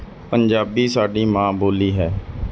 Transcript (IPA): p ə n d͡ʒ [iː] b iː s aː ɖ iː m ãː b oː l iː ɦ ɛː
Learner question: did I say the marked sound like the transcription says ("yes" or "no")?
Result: no